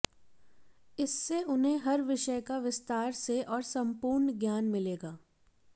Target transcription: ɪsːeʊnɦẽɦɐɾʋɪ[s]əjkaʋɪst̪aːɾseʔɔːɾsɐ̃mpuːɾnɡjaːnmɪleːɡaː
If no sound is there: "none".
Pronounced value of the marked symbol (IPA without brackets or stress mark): ʃ